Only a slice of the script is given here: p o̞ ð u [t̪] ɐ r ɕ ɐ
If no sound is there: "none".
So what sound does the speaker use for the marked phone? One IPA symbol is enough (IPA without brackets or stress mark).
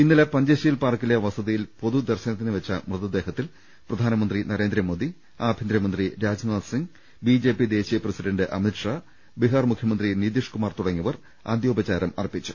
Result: d̪